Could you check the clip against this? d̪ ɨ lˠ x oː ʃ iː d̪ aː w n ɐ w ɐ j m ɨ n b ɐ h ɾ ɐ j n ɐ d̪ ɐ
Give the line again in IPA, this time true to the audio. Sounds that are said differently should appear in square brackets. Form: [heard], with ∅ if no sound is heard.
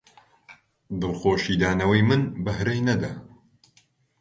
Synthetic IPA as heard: d̪ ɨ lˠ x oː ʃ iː d̪ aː [∅] n ɐ w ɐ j m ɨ n b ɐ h ɾ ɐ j n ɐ d̪ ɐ